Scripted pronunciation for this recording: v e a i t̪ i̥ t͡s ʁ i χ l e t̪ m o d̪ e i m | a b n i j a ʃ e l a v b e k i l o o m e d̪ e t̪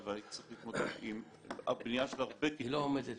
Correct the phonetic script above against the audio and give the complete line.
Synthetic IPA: v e a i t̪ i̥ t͡s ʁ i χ l i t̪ m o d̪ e i m | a b n i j a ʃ e l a ʁ b e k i l o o m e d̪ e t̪

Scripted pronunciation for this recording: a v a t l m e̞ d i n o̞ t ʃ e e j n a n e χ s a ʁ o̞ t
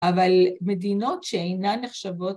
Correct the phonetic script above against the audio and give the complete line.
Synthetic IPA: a v a l m e̞ d i n o̞ t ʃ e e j n a n e χ ʃ a v o̞ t

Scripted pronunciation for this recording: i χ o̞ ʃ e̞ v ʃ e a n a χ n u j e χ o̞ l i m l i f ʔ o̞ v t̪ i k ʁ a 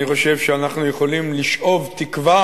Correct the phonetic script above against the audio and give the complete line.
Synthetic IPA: i χ o̞ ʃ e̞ v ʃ e a n a χ n u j e χ o̞ l i m l i ʃ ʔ o̞ v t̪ i k v a

